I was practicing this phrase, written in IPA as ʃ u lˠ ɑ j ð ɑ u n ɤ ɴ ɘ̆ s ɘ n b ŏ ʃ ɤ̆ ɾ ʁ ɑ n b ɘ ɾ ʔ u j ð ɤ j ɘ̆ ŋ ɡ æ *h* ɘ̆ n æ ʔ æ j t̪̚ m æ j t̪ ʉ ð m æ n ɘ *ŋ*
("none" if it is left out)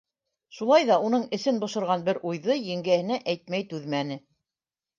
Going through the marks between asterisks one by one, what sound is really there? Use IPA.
h, none

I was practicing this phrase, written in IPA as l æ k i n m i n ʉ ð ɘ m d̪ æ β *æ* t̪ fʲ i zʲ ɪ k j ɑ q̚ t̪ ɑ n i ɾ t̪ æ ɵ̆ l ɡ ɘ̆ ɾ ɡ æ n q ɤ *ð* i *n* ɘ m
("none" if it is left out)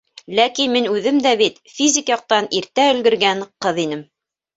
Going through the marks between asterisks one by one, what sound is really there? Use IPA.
i, ð, n

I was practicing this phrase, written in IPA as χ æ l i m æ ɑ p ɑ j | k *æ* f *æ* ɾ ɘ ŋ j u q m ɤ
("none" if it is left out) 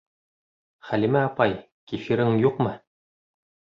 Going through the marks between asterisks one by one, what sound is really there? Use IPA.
i, i

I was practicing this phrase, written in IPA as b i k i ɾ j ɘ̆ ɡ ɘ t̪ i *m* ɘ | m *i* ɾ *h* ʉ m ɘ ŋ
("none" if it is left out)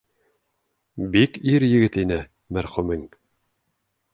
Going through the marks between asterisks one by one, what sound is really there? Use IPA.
n, æ, χ

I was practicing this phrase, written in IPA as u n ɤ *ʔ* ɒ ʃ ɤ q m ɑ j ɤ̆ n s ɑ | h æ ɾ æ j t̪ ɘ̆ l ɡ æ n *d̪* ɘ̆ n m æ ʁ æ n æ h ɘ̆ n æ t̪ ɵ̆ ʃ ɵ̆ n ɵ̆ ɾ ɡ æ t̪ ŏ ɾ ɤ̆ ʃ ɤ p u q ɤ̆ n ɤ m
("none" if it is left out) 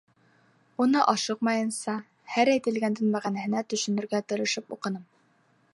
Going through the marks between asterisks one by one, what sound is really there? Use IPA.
ʔ, d̪

